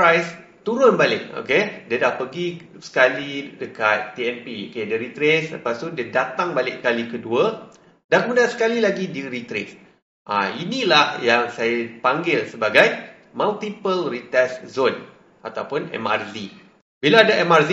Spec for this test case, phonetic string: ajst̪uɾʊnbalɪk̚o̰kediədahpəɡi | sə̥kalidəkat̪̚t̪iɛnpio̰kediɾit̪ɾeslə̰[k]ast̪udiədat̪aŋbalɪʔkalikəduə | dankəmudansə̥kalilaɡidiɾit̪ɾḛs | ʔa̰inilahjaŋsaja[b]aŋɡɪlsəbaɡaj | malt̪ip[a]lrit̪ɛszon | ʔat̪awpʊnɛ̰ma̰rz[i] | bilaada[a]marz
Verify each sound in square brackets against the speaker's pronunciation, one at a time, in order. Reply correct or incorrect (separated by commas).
incorrect, incorrect, incorrect, correct, incorrect